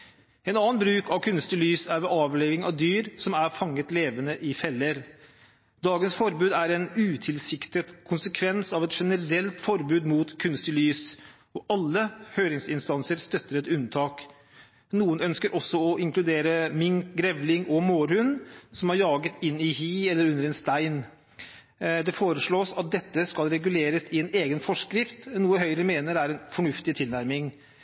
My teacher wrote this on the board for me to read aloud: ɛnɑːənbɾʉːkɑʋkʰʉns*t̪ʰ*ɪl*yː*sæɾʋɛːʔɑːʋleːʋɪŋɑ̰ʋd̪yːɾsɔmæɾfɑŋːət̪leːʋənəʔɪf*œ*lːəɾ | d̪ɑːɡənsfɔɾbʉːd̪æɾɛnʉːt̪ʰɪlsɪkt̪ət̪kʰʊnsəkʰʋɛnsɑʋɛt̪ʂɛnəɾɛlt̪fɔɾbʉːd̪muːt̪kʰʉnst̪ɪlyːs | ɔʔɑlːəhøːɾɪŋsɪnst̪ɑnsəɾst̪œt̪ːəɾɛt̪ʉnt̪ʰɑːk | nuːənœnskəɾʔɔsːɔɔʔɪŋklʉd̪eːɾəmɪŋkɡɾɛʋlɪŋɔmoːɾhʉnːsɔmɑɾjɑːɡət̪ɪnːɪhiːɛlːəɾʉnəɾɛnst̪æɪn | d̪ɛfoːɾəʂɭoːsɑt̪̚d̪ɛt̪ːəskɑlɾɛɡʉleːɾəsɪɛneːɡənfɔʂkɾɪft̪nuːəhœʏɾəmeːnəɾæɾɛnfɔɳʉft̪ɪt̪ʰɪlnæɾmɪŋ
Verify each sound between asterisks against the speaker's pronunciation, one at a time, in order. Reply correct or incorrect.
incorrect: t̪, correct, incorrect: ɛ

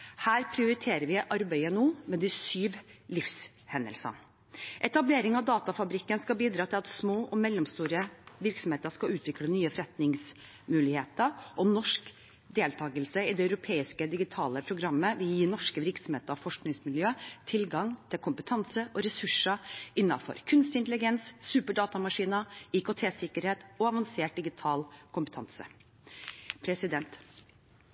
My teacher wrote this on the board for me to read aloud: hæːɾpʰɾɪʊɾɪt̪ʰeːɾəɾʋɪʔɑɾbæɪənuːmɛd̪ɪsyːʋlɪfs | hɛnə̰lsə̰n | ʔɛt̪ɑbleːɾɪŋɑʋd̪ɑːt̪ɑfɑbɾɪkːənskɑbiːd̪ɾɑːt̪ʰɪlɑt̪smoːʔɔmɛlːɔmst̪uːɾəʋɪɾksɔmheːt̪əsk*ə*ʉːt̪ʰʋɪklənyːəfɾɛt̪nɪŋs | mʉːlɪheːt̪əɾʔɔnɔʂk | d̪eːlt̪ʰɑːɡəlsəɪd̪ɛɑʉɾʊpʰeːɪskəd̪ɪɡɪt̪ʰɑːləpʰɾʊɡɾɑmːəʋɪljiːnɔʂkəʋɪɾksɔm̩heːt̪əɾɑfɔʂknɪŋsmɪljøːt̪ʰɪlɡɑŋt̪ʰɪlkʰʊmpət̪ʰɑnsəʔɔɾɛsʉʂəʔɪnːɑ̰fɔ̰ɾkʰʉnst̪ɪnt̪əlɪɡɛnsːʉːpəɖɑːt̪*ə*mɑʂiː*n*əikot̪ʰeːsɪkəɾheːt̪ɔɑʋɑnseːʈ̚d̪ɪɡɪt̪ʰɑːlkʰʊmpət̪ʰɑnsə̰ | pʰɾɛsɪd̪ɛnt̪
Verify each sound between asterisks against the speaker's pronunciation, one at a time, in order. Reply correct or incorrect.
incorrect: ɑ, incorrect: ɑ, correct

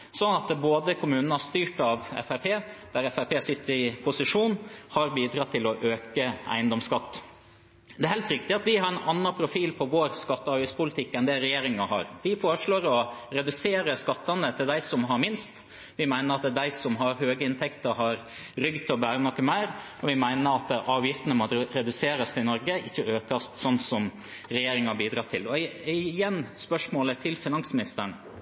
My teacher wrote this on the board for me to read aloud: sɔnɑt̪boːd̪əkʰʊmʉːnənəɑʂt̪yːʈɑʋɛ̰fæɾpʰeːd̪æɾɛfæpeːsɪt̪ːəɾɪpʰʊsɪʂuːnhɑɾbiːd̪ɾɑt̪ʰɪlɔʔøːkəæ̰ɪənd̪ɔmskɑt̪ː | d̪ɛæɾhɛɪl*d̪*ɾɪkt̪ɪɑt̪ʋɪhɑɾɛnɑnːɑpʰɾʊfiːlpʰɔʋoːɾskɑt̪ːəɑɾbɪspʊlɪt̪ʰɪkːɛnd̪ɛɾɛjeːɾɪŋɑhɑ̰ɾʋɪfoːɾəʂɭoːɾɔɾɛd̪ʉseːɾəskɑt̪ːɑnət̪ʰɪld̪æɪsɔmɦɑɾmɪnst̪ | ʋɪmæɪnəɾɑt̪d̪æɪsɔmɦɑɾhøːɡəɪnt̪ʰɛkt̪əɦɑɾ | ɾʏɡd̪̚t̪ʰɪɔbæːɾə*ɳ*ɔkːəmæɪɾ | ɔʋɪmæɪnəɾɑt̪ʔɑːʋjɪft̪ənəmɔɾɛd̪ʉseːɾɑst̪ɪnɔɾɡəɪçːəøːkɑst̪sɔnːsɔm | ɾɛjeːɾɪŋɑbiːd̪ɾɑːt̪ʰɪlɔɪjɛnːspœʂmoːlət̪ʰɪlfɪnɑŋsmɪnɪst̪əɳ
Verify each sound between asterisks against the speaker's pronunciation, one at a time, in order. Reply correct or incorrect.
incorrect: t̪, incorrect: n

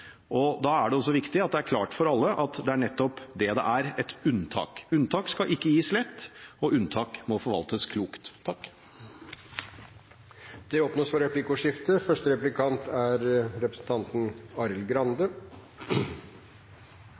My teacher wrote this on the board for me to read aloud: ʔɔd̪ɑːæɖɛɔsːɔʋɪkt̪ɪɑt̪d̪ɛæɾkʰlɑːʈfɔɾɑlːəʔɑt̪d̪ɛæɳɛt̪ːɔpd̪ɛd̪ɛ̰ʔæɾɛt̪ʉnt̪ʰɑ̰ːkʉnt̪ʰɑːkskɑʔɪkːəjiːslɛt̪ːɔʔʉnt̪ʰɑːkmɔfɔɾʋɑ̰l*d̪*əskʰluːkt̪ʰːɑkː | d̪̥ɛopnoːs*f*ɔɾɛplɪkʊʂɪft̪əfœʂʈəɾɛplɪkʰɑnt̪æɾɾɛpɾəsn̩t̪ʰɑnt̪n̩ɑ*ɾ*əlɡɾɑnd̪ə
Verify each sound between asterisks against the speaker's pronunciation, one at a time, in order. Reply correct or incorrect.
incorrect: t̪, correct, correct

